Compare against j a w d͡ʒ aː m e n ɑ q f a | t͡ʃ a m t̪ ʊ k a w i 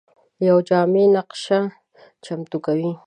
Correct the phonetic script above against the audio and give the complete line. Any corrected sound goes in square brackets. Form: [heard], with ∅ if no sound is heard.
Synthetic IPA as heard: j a w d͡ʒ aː m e n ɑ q [ʃ] a | t͡ʃ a m t̪ ʊ k a w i